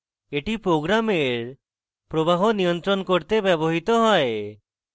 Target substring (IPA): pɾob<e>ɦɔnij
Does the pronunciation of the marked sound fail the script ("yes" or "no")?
yes